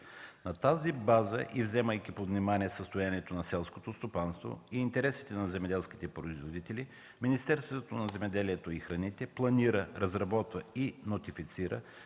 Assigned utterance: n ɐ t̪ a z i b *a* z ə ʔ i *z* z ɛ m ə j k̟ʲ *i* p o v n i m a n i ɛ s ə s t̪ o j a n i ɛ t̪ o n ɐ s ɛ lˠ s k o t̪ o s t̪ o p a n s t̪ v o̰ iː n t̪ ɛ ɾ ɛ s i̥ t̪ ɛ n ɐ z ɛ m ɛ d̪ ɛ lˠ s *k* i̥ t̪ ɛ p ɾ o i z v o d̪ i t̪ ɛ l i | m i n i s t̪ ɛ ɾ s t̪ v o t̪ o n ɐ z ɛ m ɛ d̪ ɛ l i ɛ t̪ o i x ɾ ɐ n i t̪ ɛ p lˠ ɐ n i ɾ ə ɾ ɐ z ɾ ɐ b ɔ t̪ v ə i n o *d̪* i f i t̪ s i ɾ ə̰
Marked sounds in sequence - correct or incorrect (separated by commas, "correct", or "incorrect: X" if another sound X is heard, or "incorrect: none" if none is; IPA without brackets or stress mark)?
correct, incorrect: v, correct, correct, incorrect: t̪